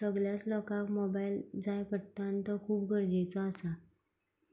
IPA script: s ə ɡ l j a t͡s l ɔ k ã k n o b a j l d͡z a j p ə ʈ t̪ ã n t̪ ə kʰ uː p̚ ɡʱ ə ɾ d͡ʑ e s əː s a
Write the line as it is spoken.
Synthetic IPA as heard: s ə ɡ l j a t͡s l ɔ k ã k m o b a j l d͡z a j p ə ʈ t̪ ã n t̪ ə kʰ uː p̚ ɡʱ ə ɾ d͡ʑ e t͡s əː s a